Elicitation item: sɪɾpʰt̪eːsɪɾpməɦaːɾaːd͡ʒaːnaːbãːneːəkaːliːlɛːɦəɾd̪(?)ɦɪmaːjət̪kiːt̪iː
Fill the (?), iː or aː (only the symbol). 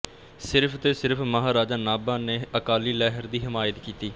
iː